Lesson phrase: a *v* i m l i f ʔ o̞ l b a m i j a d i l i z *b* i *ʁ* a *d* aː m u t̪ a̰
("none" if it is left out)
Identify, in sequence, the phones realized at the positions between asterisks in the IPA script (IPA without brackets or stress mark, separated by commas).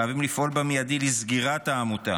v, ɡ, ʁ, t